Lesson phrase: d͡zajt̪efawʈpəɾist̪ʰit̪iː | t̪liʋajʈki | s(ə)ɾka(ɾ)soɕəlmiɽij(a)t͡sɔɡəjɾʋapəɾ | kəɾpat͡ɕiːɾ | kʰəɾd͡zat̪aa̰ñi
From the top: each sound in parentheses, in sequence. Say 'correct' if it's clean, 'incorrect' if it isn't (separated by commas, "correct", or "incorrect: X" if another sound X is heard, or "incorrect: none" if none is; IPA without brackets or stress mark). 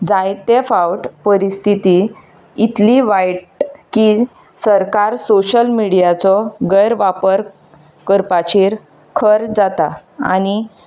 correct, correct, correct